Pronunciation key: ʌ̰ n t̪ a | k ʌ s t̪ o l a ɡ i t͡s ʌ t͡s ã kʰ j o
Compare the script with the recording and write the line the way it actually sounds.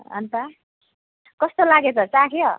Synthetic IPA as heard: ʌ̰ n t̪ a | k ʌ s t̪ o l a ɡ e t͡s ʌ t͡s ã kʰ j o